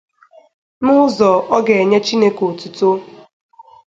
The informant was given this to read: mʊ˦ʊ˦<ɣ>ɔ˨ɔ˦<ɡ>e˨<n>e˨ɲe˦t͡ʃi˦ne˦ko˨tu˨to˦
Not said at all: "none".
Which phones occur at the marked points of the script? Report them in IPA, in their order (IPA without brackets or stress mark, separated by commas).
z, ɡ, none